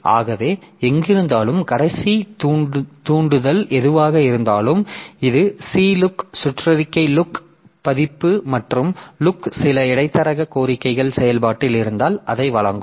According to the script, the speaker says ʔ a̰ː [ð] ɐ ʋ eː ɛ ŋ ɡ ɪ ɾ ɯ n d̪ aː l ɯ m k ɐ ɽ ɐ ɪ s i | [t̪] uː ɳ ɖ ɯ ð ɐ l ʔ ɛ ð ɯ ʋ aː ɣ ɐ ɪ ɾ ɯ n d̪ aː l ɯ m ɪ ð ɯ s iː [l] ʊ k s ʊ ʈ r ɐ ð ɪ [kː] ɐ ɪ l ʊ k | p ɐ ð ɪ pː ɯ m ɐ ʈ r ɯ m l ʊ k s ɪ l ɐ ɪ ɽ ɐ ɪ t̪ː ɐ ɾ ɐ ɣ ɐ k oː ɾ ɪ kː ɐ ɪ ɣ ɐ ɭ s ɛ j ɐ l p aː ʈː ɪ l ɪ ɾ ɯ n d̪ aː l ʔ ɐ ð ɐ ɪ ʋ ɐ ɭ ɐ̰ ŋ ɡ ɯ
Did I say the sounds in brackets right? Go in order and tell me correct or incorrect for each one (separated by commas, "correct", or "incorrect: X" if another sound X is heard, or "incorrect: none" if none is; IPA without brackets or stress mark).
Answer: incorrect: ɣ, correct, correct, correct